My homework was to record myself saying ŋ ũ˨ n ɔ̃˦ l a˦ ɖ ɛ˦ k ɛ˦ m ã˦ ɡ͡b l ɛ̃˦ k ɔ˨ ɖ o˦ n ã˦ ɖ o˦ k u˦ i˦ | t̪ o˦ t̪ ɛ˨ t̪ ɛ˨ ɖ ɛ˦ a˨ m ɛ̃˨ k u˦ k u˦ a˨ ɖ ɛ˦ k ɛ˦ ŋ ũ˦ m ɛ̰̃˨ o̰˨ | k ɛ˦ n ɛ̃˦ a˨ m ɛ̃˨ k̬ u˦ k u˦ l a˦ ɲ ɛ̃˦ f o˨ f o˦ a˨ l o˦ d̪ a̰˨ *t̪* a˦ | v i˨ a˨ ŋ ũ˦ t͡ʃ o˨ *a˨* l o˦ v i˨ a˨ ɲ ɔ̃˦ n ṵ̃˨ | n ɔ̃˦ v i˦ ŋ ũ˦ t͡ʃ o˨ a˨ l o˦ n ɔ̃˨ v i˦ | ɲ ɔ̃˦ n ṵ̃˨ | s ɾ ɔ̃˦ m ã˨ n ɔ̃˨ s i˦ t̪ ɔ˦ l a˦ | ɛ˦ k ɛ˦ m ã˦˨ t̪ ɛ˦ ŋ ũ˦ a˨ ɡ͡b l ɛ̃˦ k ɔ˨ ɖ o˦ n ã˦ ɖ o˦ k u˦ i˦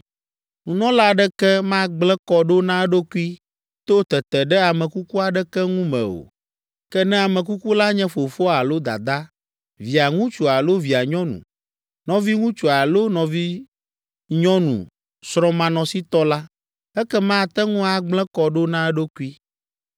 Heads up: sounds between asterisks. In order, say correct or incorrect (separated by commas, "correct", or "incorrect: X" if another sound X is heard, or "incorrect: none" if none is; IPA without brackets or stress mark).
incorrect: d̪, correct